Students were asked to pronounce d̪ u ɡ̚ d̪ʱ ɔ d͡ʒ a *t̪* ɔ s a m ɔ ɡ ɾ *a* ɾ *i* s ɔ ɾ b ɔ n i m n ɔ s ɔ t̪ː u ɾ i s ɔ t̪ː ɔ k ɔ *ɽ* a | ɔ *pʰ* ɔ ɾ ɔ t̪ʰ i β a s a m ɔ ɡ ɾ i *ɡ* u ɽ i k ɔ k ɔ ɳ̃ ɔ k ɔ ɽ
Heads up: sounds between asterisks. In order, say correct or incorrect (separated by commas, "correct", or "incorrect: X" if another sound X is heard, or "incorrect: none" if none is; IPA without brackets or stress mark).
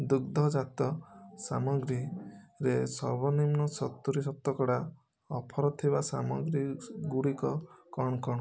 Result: correct, incorrect: i, incorrect: e, correct, correct, correct